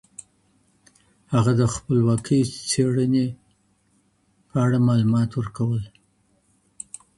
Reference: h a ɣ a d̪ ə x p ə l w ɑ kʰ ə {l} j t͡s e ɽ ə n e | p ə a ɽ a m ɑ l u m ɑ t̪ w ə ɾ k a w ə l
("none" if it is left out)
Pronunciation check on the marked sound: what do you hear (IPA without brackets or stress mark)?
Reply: none